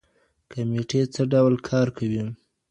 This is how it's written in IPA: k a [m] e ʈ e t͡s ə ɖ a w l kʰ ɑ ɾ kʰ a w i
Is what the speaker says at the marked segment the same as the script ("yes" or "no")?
yes